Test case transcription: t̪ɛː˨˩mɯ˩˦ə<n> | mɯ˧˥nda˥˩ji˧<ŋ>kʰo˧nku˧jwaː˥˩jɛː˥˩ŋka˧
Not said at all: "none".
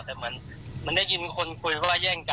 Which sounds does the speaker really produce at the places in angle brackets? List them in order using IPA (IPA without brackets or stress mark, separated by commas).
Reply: n, n